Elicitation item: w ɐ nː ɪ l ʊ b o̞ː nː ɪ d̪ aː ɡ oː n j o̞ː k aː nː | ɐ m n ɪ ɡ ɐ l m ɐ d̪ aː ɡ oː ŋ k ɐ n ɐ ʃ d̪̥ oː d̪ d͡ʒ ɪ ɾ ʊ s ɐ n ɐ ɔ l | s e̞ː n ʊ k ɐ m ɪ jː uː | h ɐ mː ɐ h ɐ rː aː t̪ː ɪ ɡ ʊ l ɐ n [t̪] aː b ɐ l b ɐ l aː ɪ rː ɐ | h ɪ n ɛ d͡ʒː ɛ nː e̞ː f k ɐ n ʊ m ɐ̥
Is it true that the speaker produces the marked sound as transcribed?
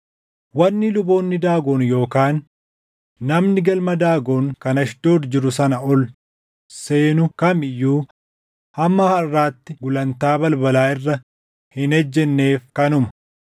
yes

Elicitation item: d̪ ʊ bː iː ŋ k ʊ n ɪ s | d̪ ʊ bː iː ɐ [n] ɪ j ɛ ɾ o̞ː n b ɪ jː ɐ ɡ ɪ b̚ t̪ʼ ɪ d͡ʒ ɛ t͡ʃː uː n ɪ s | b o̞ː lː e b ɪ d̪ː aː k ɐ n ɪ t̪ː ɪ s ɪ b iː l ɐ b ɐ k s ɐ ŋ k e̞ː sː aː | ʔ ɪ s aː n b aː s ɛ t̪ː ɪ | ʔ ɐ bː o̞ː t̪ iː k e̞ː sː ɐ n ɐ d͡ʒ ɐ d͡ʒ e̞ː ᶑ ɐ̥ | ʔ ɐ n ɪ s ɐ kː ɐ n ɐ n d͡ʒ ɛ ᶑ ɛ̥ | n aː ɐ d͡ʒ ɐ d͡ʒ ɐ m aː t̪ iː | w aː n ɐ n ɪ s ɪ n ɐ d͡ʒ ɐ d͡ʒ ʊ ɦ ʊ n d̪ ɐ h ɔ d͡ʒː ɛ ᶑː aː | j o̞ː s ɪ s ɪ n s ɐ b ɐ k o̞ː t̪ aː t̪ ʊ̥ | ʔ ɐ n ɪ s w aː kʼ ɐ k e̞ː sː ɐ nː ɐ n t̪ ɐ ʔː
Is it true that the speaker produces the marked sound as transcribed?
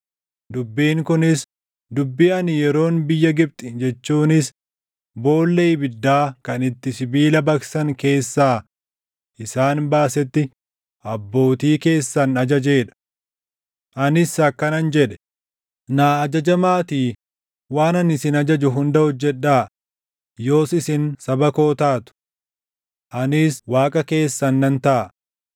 yes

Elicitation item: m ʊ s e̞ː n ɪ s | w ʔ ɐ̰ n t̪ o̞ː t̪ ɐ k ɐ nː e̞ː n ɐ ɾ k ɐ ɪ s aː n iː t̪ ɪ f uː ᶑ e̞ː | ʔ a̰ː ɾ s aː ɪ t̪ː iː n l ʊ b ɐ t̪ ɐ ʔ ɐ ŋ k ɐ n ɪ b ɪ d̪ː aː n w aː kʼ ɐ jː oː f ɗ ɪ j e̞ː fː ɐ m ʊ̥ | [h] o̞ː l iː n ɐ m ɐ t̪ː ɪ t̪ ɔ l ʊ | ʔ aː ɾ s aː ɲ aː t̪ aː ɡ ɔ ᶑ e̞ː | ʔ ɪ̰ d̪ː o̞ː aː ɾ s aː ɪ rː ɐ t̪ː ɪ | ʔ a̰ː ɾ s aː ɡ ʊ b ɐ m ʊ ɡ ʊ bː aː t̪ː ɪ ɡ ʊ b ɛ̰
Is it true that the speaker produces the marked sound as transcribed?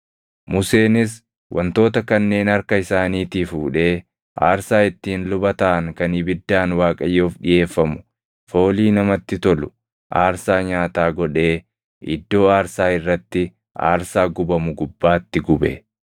no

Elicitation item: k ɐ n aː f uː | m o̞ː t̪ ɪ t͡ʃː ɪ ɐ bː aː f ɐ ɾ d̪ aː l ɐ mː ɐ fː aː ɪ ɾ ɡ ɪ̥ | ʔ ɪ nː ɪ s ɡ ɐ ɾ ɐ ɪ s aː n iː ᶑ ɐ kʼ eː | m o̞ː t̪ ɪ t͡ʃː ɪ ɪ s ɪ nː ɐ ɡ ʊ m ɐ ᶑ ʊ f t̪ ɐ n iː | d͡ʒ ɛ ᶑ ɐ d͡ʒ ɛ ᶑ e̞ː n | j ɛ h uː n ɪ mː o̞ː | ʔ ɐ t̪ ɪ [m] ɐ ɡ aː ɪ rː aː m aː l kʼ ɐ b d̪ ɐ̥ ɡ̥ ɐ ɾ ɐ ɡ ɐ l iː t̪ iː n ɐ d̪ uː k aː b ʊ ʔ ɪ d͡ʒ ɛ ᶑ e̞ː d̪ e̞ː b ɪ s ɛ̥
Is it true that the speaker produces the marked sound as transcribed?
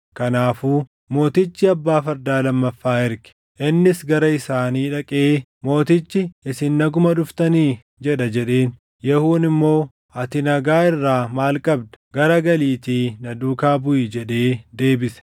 no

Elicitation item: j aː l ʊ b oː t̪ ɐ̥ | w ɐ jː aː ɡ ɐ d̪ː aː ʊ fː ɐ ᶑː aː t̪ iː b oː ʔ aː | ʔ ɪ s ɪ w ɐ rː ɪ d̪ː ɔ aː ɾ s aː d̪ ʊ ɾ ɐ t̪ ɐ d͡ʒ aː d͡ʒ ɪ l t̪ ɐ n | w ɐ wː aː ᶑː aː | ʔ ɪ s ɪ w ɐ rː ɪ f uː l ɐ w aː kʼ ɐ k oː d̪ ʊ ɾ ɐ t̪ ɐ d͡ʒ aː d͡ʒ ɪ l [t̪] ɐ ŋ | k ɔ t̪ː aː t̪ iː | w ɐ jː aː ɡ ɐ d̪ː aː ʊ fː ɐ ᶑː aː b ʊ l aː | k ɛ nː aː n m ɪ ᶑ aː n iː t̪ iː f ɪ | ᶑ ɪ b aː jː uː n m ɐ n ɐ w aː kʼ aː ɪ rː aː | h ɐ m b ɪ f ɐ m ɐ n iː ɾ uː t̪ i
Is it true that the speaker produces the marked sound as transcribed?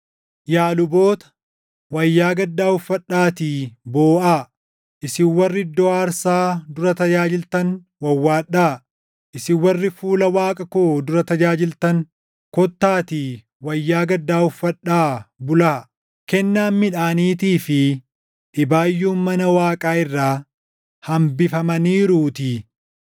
yes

